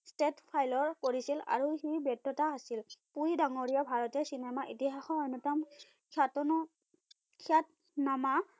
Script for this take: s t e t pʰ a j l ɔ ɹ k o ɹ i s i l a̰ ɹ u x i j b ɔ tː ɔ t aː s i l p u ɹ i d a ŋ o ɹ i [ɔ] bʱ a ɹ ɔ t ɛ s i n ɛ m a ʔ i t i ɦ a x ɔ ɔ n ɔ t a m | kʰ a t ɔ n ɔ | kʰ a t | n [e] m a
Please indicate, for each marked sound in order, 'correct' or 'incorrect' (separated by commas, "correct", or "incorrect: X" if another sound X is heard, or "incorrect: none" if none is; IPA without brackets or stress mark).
correct, incorrect: a